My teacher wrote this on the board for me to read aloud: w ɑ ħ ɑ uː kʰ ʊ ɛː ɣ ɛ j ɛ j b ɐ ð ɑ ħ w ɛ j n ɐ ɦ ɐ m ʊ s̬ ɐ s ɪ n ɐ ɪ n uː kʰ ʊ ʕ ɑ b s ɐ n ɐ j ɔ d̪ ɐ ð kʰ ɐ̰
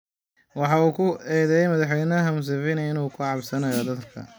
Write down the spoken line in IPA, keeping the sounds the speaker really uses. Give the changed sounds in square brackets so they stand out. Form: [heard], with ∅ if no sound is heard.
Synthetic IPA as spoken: w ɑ ħ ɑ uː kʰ ʊ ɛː [ð] ɛ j ɛ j [m] ɐ ð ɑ ħ w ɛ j n ɐ ɦ ɐ m ʊ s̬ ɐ [f] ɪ n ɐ ɪ n uː kʰ ʊ ʕ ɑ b s ɐ n ɐ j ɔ d̪ ɐ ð kʰ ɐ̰